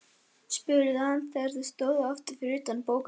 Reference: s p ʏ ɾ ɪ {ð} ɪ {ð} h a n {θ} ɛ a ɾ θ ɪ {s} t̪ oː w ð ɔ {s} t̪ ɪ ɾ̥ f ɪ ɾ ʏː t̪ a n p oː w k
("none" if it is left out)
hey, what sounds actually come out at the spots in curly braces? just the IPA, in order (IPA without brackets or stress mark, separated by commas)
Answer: ð, none, θ, s, f